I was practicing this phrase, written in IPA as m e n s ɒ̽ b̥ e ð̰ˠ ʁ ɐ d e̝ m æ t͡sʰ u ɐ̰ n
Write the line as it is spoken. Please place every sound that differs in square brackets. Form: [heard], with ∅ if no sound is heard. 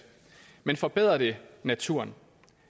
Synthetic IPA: m e n [f] ɒ̽ b̥ e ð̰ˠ ʁ ɐ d e̝ [n] æ t͡sʰ u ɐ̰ n